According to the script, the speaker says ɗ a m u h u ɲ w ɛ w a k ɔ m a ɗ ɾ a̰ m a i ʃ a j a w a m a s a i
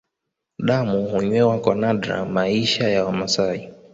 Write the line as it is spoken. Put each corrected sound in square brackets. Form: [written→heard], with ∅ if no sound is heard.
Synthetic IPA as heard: ɗ a m u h u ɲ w ɛ w a k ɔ [m→n] a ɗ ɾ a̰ m a i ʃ a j a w a m a s a i